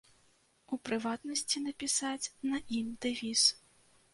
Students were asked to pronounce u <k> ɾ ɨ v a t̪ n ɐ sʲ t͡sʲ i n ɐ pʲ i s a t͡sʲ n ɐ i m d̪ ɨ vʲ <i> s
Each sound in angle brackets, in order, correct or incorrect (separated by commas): incorrect, correct